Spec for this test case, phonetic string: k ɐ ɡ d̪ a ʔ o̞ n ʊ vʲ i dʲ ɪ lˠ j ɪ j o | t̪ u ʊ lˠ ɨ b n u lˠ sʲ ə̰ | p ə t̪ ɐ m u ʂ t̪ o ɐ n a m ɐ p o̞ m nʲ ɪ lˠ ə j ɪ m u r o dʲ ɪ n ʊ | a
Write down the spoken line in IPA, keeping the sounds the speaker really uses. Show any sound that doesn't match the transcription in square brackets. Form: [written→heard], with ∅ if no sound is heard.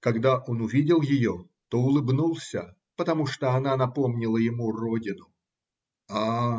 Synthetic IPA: k ɐ ɡ d̪ a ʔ o̞ n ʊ vʲ i dʲ ɪ lˠ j ɪ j o | t̪ [u→o] ʊ lˠ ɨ b n u lˠ sʲ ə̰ | p ə t̪ ɐ m u ʂ t̪ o ɐ n a [m→n] ɐ p o̞ m nʲ ɪ lˠ ə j ɪ m u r o dʲ ɪ n ʊ | a